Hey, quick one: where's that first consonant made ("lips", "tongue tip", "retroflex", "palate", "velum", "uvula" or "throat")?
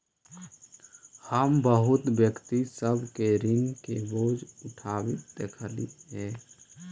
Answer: throat